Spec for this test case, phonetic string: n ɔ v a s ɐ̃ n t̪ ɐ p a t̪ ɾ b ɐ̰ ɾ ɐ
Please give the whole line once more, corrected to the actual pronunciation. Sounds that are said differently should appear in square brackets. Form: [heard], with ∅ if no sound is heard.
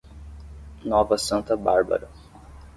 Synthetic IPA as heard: n ɔ v [ɐ] s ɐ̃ n t̪ ɐ [b] a [∅] ɾ b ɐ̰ ɾ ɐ